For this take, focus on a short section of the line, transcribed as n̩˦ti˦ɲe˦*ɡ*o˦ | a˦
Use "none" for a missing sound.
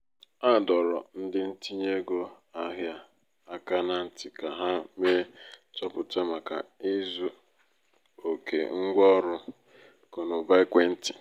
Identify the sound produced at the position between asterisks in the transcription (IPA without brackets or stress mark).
ɡ